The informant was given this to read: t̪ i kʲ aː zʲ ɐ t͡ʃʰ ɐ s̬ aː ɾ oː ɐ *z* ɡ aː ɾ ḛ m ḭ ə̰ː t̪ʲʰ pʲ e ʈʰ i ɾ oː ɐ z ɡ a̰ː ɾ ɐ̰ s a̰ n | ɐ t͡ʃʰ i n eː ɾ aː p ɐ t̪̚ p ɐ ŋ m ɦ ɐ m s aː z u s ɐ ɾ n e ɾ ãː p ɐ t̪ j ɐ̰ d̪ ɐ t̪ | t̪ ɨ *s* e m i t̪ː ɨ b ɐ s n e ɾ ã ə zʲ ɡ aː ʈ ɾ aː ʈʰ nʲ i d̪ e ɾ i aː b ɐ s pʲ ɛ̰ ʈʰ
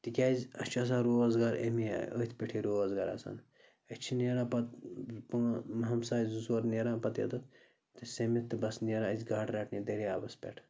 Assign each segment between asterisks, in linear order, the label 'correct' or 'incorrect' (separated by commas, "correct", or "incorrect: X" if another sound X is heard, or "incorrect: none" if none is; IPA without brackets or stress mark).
correct, correct